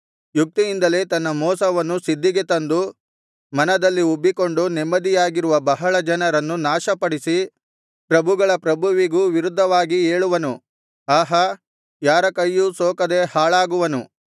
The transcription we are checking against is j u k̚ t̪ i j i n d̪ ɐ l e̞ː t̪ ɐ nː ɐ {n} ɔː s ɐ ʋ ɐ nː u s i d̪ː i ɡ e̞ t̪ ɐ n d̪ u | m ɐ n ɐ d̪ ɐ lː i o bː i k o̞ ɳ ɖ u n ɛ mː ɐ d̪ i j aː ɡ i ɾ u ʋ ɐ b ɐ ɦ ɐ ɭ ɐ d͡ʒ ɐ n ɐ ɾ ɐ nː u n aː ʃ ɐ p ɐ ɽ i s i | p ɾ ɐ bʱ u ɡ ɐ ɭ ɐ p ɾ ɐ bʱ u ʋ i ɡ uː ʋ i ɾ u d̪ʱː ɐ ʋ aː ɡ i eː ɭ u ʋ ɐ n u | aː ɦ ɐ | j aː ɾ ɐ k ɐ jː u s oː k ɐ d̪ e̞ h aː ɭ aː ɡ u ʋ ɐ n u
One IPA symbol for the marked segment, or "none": m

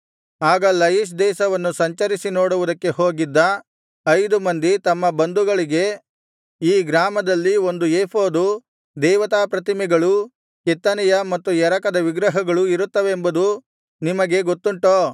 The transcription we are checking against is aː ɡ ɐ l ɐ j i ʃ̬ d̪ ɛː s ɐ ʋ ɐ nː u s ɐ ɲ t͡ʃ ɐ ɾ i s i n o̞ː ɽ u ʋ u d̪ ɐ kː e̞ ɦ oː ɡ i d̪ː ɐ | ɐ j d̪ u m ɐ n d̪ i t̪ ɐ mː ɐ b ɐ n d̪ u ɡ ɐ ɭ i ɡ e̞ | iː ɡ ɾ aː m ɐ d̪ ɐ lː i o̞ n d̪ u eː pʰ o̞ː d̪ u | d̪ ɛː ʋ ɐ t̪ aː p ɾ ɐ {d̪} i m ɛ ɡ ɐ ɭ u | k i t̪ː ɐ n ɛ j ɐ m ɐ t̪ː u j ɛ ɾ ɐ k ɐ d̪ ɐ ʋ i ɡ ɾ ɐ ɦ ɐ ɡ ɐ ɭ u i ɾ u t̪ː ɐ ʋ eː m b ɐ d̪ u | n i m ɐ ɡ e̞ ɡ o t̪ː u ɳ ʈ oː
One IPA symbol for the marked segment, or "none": t̪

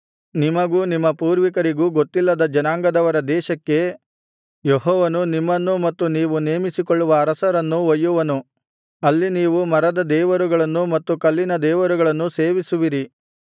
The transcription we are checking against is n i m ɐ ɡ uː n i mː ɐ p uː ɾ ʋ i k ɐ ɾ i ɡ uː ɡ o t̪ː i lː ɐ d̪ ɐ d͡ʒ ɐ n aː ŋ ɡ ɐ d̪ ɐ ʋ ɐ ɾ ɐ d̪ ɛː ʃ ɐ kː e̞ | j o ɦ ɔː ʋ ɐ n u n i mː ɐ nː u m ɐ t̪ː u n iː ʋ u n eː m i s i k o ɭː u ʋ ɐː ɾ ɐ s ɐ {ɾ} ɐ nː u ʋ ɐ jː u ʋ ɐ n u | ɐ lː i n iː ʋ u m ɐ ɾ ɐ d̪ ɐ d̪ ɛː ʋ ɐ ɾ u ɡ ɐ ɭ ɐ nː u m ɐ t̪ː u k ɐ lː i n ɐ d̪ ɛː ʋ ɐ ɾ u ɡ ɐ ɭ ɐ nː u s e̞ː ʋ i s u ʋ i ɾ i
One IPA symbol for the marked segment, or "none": ɾ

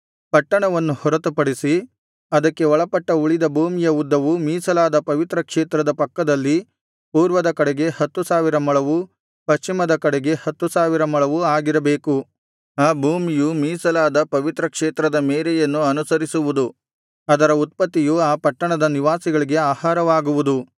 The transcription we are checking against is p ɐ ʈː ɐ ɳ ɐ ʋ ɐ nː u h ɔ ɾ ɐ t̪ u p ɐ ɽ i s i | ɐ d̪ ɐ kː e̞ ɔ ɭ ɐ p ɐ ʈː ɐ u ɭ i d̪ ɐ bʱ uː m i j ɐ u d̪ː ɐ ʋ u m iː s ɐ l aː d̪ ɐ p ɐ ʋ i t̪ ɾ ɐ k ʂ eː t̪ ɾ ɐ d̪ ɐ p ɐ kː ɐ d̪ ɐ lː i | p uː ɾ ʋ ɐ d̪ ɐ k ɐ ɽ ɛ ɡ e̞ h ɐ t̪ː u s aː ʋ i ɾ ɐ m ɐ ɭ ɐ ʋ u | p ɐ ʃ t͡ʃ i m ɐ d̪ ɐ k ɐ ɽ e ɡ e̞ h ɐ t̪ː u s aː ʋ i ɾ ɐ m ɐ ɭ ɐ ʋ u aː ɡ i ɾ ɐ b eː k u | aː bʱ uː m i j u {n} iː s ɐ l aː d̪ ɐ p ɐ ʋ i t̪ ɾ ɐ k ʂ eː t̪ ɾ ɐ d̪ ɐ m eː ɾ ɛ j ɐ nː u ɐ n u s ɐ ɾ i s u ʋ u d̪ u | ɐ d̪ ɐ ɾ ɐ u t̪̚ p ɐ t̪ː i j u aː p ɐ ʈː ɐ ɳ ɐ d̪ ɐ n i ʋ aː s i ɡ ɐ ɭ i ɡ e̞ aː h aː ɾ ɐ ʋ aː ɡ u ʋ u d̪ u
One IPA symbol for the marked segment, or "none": m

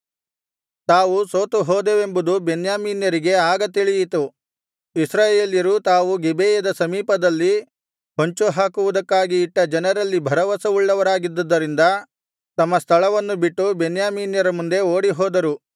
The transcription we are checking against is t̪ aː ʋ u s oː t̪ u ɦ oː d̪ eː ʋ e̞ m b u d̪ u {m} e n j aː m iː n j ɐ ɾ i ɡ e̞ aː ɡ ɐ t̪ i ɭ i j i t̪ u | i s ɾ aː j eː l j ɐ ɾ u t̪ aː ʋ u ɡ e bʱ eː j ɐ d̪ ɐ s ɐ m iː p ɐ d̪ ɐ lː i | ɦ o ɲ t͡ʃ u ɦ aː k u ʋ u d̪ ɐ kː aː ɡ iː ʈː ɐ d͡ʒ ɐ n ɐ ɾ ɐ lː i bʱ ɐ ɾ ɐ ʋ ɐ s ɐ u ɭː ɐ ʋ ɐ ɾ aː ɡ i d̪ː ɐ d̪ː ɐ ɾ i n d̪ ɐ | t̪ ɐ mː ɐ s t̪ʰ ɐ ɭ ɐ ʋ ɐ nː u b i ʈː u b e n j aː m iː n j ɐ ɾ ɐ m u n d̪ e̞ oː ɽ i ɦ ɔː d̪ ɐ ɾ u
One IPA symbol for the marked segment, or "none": b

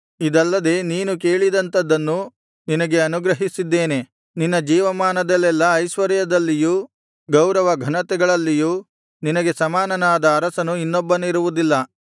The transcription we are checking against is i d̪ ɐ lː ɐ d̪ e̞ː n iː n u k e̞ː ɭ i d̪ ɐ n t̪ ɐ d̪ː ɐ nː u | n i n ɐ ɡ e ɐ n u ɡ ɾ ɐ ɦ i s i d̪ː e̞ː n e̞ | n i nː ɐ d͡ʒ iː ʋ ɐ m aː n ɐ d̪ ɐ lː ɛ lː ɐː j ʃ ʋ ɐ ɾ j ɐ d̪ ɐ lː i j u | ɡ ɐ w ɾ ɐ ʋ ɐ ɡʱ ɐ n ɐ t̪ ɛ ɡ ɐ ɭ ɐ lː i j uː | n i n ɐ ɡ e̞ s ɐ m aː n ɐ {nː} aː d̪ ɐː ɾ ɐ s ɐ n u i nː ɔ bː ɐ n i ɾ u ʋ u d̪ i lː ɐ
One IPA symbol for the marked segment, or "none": n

